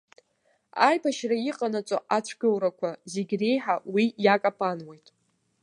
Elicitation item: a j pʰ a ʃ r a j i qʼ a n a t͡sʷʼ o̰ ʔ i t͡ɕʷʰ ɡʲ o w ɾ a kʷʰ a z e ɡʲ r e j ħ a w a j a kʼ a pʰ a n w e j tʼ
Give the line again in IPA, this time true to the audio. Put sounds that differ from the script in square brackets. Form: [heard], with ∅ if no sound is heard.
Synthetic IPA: a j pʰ a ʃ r a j i qʼ a n a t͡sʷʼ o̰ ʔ [a] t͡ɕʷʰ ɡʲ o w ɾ a kʷʰ a z e ɡʲ r e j ħ a w [i] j a kʼ a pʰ a n w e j tʼ

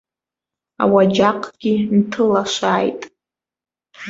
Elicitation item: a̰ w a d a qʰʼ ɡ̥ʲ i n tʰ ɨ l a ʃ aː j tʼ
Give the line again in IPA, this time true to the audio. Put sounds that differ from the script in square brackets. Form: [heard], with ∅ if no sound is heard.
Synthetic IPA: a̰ w a [d͡ʒ] a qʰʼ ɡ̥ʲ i n tʰ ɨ l a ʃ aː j tʼ

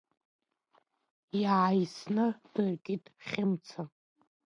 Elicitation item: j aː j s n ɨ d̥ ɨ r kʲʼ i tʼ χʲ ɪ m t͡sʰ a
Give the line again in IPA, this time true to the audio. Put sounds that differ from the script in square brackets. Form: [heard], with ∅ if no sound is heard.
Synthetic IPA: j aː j s n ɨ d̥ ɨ r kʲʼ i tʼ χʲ ɪ m t͡sʰ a

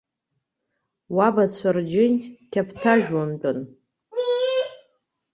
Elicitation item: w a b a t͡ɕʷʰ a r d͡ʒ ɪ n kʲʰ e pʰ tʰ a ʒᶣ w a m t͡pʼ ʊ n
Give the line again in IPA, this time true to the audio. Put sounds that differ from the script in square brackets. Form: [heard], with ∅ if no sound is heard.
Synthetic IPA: w a b a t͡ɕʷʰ a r d͡ʒ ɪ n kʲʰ [a] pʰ tʰ a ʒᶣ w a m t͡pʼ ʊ n

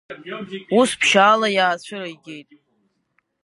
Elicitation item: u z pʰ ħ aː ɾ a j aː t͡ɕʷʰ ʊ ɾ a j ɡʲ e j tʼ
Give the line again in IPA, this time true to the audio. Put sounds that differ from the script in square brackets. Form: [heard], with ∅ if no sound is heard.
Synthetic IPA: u [s] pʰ [ʃ] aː [l] a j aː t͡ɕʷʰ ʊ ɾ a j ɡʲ e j tʼ

